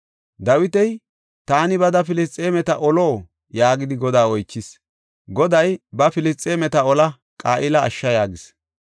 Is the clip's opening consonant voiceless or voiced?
voiced